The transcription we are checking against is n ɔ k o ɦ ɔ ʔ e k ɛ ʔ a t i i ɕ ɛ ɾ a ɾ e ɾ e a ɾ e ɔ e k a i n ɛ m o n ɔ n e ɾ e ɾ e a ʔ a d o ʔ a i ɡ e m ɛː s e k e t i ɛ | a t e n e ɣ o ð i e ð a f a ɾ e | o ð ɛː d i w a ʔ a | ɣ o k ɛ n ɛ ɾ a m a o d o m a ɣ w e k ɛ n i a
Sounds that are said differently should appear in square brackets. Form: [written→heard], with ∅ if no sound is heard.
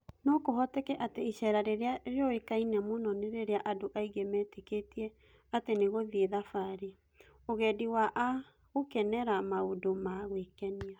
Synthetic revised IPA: n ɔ k o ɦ ɔ [ʔ→t] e k ɛ ʔ a t [i→e] i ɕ ɛ ɾ a ɾ e ɾ e a ɾ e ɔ e k a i n ɛ m o n ɔ n e ɾ e ɾ e a ʔ a d o ʔ a i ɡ e m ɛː [s→t] e k e t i ɛ | a t e n e ɣ o ð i e ð a f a ɾ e | o [ð→ɣ] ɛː d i w a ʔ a | ɣ o k ɛ n ɛ ɾ a m a o d o m a ɣ w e k ɛ n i a